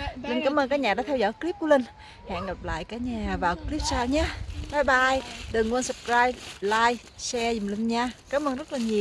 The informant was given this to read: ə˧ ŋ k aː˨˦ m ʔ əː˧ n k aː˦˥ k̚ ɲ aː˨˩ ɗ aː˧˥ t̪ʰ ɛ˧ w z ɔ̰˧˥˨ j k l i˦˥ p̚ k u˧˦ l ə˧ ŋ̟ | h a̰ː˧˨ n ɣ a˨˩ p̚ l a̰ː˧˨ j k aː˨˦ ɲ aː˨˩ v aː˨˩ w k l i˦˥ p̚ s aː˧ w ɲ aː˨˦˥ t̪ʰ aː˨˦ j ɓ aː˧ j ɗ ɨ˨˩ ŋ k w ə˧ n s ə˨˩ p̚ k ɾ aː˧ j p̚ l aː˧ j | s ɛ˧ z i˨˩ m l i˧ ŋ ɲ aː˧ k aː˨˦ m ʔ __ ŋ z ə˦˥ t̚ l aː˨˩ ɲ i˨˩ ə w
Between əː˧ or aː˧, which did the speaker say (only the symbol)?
əː˧